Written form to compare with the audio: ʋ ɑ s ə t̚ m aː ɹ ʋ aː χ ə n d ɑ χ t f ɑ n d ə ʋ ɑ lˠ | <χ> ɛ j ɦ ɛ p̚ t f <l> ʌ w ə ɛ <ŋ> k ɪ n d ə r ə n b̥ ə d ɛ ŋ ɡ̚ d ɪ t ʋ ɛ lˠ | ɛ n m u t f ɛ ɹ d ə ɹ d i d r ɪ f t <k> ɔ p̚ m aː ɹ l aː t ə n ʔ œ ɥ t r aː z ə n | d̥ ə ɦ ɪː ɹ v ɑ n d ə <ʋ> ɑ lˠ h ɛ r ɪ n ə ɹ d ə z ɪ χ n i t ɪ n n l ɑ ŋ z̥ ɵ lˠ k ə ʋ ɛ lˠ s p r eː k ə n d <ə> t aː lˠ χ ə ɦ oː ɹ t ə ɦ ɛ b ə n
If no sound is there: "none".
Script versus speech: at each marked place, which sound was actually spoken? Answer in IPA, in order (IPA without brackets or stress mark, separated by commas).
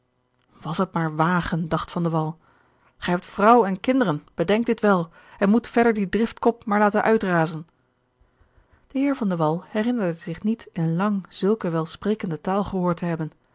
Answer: χ, r, n, k, ʋ, ə